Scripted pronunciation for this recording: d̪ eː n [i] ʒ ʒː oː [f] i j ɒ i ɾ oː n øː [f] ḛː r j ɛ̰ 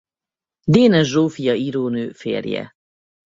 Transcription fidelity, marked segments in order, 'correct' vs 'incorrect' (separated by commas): incorrect, correct, correct